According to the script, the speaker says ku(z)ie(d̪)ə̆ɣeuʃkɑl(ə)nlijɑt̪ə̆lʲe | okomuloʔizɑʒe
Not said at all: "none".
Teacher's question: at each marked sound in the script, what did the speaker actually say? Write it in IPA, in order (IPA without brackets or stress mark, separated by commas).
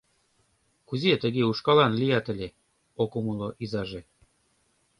z, t̪, ɑ